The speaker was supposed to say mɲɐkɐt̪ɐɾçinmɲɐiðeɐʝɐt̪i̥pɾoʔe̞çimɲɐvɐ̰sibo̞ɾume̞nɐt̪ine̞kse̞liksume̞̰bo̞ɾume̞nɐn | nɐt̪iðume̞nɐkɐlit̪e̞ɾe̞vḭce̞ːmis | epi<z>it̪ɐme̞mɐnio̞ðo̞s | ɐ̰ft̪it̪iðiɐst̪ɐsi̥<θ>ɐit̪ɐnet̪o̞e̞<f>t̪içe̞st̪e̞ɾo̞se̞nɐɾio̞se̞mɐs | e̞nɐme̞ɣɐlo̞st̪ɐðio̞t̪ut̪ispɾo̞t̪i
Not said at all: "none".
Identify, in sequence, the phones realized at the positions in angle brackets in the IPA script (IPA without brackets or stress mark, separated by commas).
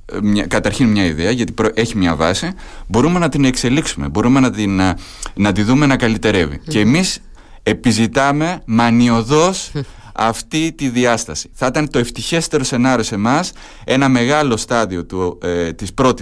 z, θ, f